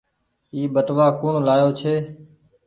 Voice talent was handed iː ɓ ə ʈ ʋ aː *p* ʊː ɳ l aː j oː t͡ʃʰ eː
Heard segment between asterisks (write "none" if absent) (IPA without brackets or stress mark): k